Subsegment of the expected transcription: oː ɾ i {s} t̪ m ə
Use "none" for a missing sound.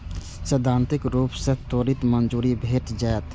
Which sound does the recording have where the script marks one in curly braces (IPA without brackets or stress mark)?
none